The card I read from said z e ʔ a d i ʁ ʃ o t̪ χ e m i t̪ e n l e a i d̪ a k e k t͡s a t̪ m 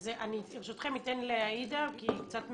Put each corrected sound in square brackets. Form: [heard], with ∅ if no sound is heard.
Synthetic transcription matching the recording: z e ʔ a [n] i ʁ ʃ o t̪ χ e m i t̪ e n l e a i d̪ a k [i] k t͡s a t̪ m